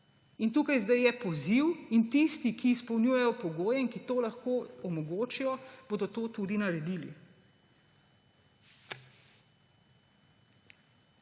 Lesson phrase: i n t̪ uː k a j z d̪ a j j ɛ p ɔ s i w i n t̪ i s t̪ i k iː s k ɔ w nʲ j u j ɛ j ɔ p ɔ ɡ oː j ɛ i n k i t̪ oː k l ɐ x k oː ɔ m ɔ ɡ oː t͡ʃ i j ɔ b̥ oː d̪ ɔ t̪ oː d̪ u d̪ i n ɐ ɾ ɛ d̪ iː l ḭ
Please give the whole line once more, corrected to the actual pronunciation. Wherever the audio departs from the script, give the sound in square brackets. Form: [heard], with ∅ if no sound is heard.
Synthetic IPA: i n t̪ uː k a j z d̪ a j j ɛ p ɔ [z] i w i n t̪ i s t̪ i k iː s [p] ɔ w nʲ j u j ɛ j ɔ p ɔ ɡ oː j ɛ i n k i t̪ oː [∅] l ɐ x k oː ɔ m ɔ ɡ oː t͡ʃ i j ɔ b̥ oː d̪ ɔ t̪ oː [t̪] u d̪ i n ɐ ɾ ɛ d̪ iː l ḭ